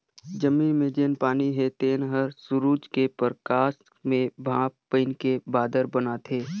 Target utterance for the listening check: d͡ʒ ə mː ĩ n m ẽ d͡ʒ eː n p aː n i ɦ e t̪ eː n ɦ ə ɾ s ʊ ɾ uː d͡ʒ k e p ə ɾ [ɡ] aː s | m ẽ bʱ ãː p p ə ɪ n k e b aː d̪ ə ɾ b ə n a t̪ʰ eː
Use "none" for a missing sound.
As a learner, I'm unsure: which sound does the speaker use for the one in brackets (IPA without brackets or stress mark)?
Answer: k